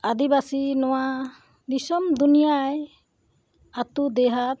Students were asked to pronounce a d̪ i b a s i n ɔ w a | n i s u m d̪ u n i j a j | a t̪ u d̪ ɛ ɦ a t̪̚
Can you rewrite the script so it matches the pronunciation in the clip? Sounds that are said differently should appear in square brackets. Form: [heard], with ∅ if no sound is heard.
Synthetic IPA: a d̪ i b a s i n ɔ w a | n i s [ɔ] m d̪ u n i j a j | a t̪ u d̪ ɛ ɦ a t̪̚